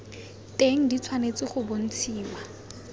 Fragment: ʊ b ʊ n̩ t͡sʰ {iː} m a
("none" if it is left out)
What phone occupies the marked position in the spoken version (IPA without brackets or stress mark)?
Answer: iː